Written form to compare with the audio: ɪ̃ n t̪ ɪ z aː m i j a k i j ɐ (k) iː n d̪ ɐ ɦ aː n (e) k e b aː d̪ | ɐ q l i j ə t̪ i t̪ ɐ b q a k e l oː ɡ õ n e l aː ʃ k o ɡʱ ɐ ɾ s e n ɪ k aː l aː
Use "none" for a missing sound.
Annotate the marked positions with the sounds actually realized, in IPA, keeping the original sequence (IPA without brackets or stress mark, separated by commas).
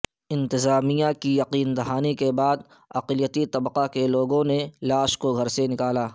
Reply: q, i